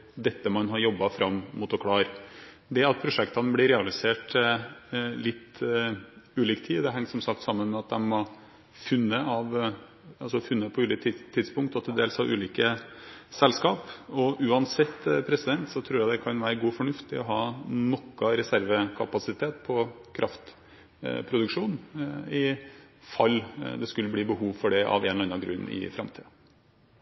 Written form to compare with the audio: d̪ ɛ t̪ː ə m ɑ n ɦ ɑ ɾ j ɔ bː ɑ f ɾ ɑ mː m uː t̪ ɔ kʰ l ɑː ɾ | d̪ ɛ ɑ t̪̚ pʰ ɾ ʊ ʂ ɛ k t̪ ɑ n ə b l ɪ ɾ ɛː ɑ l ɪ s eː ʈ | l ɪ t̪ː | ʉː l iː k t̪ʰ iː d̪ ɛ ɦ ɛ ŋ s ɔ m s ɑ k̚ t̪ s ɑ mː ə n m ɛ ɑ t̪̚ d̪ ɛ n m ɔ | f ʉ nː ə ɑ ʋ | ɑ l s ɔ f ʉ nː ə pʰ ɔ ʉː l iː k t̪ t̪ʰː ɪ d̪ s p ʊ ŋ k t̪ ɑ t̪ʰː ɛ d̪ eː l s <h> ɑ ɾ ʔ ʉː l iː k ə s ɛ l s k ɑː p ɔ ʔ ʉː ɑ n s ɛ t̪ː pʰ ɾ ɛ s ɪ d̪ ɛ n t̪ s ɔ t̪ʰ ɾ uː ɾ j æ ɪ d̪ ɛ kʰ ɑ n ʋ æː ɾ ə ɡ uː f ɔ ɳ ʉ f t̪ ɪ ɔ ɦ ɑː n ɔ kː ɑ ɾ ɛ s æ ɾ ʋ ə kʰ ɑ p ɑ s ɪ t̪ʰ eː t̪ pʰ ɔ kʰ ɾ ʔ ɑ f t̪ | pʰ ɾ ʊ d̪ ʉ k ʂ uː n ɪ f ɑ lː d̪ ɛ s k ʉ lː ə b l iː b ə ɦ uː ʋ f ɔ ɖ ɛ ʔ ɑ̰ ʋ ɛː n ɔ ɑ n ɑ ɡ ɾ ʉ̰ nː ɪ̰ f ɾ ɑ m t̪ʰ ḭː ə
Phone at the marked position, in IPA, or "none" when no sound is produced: h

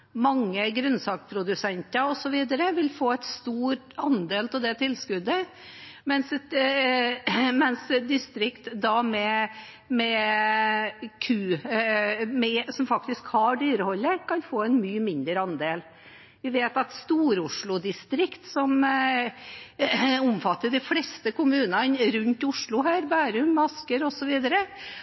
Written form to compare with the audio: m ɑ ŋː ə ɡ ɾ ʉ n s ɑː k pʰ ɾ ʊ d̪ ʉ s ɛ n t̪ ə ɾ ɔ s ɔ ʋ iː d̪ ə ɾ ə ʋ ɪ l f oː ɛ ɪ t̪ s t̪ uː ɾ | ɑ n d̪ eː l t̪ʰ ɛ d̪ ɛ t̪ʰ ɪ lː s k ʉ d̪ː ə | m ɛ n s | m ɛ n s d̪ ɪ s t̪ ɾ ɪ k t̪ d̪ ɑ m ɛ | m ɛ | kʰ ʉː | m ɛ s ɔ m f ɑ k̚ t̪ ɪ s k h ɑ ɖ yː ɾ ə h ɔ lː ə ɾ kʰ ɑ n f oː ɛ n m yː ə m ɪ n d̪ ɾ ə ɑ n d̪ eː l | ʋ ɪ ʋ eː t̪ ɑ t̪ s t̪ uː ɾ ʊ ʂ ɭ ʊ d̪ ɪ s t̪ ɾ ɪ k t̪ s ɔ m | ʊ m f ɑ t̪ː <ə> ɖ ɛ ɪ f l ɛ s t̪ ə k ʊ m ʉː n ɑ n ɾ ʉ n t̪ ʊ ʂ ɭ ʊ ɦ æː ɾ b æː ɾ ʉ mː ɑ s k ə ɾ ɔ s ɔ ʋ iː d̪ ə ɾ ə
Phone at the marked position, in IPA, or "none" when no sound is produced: ə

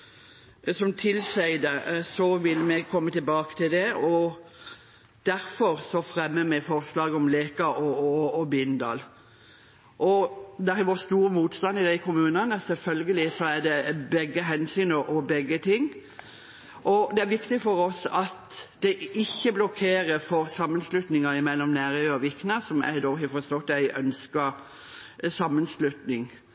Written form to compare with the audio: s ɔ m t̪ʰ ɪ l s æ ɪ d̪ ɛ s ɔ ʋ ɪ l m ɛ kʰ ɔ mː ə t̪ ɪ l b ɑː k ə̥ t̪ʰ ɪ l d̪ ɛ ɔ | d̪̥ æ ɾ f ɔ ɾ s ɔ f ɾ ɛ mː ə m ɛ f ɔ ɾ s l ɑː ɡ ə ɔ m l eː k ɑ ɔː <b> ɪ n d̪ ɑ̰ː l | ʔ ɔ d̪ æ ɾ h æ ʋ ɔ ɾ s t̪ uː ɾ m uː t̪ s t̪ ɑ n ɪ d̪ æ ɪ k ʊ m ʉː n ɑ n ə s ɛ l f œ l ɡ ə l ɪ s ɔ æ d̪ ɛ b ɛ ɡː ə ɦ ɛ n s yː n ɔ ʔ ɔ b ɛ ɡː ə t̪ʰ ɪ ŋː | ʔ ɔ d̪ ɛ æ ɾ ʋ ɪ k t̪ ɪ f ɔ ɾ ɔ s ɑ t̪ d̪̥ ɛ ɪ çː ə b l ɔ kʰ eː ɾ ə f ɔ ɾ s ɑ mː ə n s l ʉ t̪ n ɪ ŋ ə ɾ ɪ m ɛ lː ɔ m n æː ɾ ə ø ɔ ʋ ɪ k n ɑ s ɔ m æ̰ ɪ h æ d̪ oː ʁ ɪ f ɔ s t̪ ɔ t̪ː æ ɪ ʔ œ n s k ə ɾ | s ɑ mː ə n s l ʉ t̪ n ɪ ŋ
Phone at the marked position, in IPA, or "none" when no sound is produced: b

